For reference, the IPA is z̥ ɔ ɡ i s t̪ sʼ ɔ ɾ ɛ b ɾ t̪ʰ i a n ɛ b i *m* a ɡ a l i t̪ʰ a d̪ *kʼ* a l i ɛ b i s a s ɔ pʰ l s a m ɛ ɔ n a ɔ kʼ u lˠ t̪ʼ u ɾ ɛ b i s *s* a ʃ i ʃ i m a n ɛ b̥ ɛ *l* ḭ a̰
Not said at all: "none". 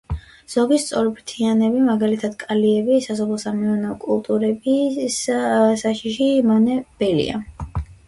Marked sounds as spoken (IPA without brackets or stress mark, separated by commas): m, kʼ, s, l